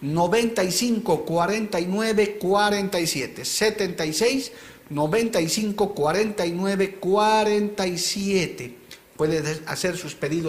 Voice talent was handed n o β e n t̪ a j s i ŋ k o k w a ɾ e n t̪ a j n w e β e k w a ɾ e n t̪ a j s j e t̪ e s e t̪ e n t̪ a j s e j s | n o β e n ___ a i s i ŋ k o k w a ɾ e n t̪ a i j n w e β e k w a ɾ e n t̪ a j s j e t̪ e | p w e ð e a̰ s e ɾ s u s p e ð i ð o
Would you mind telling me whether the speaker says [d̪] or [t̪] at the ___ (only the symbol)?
t̪